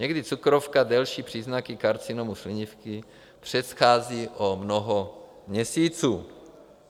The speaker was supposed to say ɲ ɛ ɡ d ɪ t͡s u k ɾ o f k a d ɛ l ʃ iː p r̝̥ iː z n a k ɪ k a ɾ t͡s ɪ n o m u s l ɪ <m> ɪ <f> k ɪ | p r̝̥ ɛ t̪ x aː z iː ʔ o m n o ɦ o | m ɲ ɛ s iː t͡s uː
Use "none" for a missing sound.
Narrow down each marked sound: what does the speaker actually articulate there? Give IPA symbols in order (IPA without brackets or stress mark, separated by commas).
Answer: ɲ, f